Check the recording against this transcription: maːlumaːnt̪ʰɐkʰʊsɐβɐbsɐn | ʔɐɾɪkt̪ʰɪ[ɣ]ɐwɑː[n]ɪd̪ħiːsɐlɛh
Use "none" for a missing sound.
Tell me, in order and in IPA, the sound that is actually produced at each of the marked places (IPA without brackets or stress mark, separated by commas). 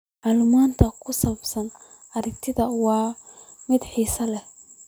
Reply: ð, m